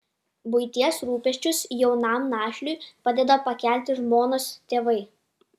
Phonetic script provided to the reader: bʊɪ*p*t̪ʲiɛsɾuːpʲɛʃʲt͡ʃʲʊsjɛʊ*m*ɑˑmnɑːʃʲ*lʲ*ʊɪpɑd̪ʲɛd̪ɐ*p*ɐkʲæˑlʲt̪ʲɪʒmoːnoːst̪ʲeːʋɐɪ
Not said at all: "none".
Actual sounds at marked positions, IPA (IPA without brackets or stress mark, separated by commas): none, n, lʲ, p